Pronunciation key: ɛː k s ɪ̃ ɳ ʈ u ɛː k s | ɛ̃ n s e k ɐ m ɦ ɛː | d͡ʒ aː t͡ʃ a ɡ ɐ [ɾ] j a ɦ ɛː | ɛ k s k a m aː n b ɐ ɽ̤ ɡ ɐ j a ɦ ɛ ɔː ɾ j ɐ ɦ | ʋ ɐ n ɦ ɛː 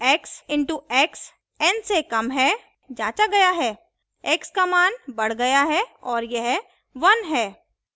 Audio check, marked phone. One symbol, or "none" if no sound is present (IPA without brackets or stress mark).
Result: none